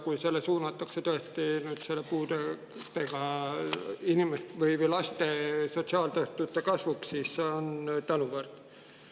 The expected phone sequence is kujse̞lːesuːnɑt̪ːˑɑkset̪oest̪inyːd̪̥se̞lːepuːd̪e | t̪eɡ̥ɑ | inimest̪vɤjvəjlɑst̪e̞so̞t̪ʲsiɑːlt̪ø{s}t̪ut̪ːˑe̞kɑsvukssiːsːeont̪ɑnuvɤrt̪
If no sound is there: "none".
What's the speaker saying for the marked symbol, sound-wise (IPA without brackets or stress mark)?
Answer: h